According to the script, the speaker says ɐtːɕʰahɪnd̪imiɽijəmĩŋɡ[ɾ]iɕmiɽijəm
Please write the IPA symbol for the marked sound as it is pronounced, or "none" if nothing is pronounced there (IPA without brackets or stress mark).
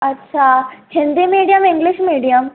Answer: l